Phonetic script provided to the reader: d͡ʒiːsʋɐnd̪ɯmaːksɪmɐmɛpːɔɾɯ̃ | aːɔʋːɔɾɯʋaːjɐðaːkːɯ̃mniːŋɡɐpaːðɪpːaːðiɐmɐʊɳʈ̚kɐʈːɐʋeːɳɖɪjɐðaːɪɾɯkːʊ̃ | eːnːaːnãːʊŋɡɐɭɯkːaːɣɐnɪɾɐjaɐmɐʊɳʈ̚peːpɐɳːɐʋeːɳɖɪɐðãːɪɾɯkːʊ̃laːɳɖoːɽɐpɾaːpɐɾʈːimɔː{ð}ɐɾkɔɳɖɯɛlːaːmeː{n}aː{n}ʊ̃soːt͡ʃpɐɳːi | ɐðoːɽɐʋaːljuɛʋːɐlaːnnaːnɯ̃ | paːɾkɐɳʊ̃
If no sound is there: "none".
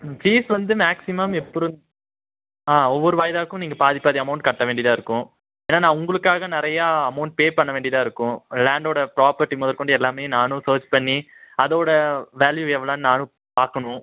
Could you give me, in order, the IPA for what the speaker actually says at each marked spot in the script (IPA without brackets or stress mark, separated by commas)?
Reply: ð, n, n